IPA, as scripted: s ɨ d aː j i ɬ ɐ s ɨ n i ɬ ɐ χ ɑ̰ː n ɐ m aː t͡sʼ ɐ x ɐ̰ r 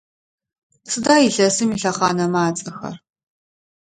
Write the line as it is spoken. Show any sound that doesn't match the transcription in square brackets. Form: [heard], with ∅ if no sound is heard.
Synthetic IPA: s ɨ d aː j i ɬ ɐ s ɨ [m] i ɬ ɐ χ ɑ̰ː n ɐ m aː t͡sʼ ɐ x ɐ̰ r